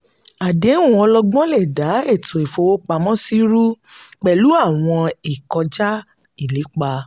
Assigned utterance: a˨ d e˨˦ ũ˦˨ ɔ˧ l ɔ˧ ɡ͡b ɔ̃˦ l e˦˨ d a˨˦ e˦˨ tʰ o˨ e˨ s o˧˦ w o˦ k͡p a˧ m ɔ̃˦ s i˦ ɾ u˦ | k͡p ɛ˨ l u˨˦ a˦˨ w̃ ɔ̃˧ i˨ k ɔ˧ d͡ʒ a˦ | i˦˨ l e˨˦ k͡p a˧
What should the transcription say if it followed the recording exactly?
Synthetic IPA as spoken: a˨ d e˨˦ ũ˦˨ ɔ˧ l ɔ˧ ɡ͡b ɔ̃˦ l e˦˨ d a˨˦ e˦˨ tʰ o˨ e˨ f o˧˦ w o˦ k͡p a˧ m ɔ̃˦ s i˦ ɾ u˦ | k͡p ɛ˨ l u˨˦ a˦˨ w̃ ɔ̃˧ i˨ k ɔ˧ d͡ʒ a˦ | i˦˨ l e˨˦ k͡p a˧